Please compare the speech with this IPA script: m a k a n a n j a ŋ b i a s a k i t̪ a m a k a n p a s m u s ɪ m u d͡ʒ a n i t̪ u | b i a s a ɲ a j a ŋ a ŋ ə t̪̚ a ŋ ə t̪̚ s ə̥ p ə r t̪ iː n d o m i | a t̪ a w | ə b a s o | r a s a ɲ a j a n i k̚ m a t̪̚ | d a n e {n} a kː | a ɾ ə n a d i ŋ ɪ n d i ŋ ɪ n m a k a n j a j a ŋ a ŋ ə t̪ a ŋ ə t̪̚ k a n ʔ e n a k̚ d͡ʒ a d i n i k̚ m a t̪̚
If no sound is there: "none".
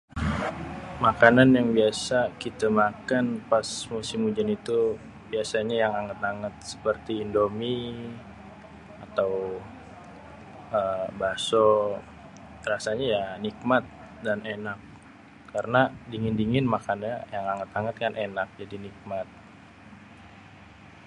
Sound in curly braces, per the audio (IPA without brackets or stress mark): n